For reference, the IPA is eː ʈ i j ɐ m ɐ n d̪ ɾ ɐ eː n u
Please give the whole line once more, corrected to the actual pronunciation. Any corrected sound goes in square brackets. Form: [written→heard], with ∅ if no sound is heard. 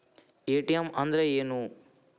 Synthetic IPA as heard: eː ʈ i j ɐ m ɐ n d̪ ɾ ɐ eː n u

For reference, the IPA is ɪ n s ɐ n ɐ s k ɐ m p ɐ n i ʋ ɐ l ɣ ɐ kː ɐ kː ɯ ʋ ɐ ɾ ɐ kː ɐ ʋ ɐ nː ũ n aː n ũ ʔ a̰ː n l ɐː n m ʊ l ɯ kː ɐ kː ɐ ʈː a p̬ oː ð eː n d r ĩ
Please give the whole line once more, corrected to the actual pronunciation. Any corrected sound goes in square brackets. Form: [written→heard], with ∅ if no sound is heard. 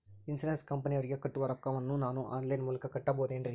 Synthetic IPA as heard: ɪ n s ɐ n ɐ s k ɐ m p ɐ n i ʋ ɐ [l→ɾ] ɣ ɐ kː ɐ [kː→ʈː] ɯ ʋ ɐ ɾ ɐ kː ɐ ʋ ɐ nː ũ n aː n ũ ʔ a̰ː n l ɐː n m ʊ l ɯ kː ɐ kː ɐ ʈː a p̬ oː ð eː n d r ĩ

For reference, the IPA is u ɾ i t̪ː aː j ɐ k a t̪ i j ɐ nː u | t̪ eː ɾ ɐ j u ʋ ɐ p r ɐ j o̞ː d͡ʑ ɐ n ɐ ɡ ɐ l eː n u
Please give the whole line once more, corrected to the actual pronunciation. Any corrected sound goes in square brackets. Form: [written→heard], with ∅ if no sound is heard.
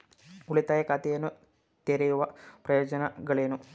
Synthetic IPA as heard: u [ɾ→ɭ] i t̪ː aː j ɐ k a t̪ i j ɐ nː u | t̪ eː ɾ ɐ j u ʋ ɐ p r ɐ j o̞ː d͡ʑ ɐ n ɐ ɡ ɐ [l→ɭ] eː n u

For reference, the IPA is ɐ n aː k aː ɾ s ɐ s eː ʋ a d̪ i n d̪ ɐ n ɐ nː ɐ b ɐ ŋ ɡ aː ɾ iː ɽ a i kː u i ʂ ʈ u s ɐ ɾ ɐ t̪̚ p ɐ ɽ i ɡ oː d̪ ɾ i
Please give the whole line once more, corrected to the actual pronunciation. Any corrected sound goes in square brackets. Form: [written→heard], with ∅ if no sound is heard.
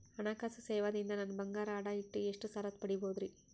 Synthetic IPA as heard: ɐ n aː k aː [ɾ→∅] s ɐ s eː ʋ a d̪ i n d̪ ɐ n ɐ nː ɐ b ɐ ŋ ɡ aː ɾ [iː→aː] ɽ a i [kː→ʈː] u [i→e] ʂ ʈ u s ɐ ɾ ɐ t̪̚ p ɐ ɽ i [ɡ→b] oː d̪ ɾ i

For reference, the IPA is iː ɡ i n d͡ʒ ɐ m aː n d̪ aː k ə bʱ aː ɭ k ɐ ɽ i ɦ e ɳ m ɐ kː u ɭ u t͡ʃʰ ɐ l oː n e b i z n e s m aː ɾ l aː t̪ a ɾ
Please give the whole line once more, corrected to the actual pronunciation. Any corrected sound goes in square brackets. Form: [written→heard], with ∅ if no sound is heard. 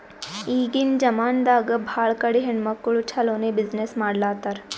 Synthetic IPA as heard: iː ɡ i n d͡ʒ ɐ m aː n d̪ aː [k→ɡ] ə bʱ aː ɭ k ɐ ɽ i ɦ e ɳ m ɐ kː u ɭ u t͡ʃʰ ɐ l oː n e b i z n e s m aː [ɾ→ɽ] l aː t̪ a ɾ

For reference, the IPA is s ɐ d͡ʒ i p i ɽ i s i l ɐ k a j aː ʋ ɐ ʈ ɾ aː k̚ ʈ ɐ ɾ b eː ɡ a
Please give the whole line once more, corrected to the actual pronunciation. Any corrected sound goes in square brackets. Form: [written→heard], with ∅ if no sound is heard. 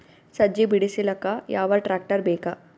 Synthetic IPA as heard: s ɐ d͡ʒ i [p→b] i ɽ i s i l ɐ k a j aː ʋ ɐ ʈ ɾ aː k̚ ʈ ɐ ɾ b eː [ɡ→k] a

